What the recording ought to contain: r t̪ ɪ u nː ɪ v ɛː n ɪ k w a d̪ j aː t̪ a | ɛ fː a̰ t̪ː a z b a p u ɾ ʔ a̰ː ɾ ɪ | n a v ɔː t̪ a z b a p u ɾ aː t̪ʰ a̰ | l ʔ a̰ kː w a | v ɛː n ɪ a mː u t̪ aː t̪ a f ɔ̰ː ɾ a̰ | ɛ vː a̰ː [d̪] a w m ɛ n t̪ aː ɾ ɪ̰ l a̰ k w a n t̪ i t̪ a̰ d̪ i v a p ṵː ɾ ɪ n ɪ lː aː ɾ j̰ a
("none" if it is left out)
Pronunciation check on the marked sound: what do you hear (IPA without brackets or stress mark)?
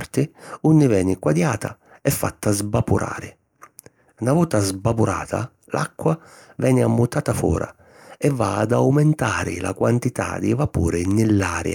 d̪